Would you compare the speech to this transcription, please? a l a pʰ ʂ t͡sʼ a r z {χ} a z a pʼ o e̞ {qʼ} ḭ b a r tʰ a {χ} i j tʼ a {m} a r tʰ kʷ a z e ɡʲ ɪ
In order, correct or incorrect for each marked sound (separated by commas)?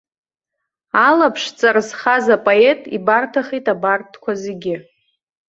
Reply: correct, incorrect, correct, incorrect